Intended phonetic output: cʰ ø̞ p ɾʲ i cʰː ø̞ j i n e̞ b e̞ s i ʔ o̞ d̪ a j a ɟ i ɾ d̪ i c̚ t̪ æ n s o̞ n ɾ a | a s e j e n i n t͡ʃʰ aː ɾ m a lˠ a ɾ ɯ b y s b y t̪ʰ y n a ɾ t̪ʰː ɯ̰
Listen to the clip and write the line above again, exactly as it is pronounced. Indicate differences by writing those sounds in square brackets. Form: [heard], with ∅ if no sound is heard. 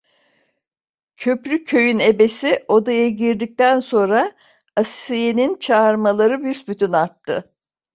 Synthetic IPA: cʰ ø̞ p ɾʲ [y] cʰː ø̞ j [y] n e̞ b e̞ s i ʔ o̞ d̪ a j a ɟ i ɾ d̪ i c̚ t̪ æ n s o̞ n ɾ a | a s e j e n i n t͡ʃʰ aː ɾ m a lˠ a ɾ ɯ b y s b y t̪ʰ y n a ɾ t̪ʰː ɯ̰